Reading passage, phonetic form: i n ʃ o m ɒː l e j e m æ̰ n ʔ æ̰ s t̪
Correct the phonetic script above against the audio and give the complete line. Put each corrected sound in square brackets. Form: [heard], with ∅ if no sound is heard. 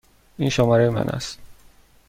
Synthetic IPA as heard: i n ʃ o m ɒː [ɾ] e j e m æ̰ n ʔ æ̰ s t̪